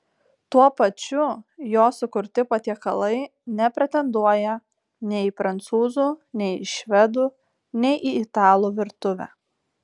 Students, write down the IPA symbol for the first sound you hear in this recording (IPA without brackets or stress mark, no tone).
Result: t̪